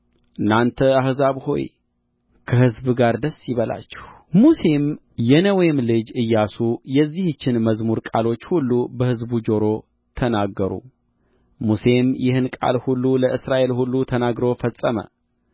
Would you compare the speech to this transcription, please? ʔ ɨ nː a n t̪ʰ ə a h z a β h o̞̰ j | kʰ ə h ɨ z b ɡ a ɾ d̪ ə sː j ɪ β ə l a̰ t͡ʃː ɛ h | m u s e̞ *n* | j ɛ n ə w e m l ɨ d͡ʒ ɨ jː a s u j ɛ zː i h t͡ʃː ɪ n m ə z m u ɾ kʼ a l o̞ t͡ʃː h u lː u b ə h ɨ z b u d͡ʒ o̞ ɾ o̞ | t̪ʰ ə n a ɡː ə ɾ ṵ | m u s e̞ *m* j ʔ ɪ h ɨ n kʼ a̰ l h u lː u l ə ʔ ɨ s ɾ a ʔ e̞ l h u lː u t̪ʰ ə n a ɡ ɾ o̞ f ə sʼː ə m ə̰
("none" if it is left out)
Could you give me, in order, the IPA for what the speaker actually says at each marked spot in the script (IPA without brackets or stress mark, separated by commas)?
m, m